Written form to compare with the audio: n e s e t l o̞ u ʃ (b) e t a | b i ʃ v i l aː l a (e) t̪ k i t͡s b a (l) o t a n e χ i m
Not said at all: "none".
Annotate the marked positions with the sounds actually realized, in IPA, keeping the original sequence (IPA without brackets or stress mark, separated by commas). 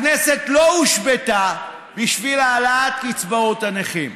b, a, none